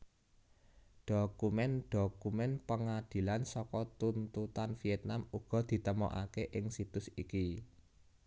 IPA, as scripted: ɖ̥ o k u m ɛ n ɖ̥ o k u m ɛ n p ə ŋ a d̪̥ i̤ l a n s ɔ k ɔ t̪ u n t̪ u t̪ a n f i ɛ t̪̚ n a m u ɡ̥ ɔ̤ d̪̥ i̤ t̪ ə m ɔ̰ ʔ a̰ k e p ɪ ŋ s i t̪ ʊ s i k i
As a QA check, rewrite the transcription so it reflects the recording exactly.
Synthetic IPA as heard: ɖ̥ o k u m ɛ n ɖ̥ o k u m ɛ n p ə ŋ a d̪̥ i̤ l a n s ɔ k ɔ t̪ u n t̪ u t̪ a n f i ɛ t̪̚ n a m u ɡ̥ ɔ̤ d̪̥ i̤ t̪ ə m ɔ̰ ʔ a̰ k e ʔ ɪ ŋ s i t̪ ʊ s i k i

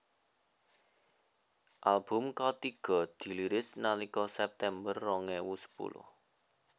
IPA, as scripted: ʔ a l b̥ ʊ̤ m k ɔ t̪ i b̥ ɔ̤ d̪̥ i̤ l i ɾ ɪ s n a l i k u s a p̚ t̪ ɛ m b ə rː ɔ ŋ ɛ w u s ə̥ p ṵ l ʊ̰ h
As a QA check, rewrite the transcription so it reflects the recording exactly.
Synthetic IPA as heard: ʔ a l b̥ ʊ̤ m k ɔ t̪ i ɡ̥ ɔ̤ d̪̥ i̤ l i ɾ ɪ s n a l i k ɔ s ɛ p̚ t̪ ɛ m b ə rː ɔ ŋ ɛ w u s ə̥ p ṵ l ʊ̰ h

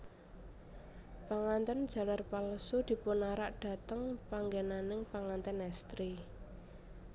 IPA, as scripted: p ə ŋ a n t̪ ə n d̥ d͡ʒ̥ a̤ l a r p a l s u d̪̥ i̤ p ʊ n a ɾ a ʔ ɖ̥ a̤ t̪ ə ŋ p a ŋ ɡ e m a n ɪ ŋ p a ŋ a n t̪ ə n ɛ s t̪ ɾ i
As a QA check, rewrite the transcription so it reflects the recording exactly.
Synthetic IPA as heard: p a ŋ a n t̪ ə n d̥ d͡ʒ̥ a̤ l a r p a l s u d̪̥ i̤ p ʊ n a ɾ a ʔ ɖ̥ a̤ t̪ ə ŋ p a ŋ ɡ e n a n ɪ ŋ p a ŋ a n t̪ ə n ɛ s t̪ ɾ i

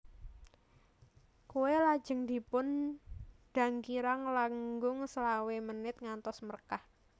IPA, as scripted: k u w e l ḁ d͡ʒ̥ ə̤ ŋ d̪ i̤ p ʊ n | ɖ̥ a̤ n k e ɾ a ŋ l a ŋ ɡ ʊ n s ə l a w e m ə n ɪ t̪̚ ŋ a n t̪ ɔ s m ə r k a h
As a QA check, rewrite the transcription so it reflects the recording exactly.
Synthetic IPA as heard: k u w e l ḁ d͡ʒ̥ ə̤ ŋ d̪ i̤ p ʊ n | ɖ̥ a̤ ŋ k i ɾ a ŋ l a ŋ ɡ ʊ ŋ s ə l a w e m ə n ɪ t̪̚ ŋ a n t̪ ɔ s m ə r k a h

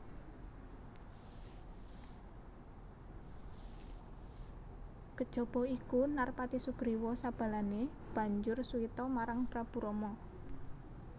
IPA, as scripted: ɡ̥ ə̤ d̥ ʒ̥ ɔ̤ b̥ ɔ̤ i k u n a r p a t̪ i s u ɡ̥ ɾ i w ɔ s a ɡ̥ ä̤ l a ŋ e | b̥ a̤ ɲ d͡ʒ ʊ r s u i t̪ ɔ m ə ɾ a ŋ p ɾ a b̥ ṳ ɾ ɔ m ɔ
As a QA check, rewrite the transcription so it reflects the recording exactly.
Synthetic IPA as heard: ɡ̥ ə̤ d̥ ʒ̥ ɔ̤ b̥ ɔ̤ i k u n a r p a t̪ i s u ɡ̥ ɾ i w ɔ s a b̥ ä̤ l a n e | b̥ a̤ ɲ d͡ʒ ʊ r s u i t̪ ɔ m a ɾ a ŋ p ɾ a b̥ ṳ ɾ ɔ m ɔ

